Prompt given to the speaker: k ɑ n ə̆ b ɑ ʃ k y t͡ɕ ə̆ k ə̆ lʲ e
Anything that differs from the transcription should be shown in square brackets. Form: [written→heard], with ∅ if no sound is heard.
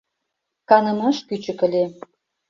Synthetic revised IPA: k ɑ n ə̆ [b→m] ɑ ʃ k y t͡ɕ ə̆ k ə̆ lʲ e